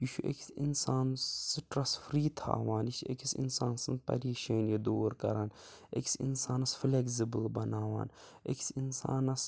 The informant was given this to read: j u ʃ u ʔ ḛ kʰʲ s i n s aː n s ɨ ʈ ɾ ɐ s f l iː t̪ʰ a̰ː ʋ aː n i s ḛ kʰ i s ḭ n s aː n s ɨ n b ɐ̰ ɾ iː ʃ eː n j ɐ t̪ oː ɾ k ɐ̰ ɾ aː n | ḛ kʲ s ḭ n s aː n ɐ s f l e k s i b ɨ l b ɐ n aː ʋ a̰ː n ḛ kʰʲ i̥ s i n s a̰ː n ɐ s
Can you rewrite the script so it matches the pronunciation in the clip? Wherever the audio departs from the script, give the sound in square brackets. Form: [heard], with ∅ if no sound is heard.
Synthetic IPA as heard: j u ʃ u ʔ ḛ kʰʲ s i n s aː n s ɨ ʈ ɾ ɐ s f [ɾ] iː t̪ʰ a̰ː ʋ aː n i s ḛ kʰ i s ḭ n s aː n s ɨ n [p] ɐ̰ ɾ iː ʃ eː n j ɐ [d̪] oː ɾ k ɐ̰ ɾ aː n | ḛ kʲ s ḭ n s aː n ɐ s f l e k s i b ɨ l b ɐ n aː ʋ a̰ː n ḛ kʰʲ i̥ s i n s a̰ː n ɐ s